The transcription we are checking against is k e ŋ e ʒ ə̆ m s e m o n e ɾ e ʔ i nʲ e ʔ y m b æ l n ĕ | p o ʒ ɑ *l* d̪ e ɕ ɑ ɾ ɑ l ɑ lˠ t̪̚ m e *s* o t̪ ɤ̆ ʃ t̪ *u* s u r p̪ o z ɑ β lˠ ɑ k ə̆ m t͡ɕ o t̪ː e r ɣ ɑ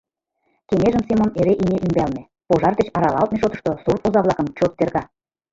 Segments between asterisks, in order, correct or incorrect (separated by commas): incorrect, incorrect, incorrect